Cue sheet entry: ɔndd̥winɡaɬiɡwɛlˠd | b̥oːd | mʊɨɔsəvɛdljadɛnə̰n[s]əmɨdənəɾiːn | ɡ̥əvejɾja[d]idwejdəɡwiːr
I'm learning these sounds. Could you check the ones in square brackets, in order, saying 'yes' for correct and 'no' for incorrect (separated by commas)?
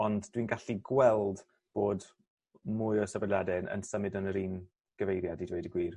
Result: yes, yes